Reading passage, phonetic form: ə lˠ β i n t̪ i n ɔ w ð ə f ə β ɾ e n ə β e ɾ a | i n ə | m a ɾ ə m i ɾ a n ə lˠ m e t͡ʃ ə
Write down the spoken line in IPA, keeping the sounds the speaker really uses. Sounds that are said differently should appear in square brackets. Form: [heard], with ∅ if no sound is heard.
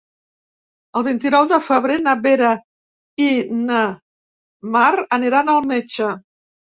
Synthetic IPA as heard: ə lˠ β i n t̪ i n ɔ w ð ə f ə β ɾ e n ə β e ɾ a | i n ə | m a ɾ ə [n] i ɾ a n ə lˠ m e t͡ʃ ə